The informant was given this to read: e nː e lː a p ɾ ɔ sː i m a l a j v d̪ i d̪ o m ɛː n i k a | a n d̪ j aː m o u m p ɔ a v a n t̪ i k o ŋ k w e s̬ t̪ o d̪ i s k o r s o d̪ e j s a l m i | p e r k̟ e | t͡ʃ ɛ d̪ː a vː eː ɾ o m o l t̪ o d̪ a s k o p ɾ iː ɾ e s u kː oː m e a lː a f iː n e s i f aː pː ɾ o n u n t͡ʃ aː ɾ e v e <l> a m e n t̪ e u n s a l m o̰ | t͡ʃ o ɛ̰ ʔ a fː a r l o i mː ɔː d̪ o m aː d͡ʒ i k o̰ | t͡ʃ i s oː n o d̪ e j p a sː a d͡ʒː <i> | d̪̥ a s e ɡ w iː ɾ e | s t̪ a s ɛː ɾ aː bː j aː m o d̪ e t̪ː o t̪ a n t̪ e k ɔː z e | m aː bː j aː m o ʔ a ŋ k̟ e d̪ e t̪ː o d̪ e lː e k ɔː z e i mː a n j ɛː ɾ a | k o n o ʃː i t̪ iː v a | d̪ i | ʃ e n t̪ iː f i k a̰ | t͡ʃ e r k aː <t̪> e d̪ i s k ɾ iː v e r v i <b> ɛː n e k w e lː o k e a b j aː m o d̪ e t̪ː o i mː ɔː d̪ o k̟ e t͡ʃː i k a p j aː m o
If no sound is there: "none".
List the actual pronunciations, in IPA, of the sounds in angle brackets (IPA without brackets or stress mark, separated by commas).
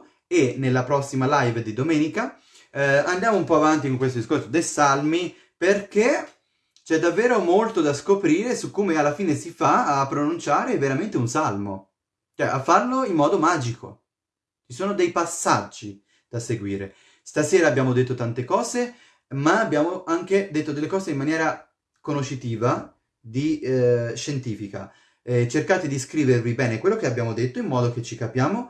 ɾ, i, t̪, b